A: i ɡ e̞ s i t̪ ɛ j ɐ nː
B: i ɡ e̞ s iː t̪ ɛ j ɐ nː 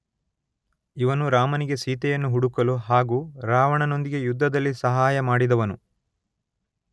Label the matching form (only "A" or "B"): B